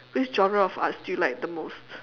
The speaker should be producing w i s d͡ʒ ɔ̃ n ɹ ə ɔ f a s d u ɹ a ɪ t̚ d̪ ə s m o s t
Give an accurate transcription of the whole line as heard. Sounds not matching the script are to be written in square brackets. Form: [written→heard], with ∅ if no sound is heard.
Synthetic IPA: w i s d͡ʒ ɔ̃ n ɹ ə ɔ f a s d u [ɹ→l] a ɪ [t̚→k̚] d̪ ə [s→∅] m o s t